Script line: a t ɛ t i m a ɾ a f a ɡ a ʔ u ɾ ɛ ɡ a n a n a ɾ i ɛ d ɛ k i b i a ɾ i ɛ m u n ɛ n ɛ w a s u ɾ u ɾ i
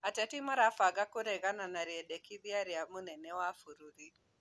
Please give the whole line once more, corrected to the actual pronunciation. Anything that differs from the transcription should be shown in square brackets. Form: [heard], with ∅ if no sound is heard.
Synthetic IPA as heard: a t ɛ t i m a ɾ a f a ɡ a [k] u ɾ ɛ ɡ a n a n a ɾ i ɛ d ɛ k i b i a ɾ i [a] m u n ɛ n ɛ w a [f] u ɾ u ɾ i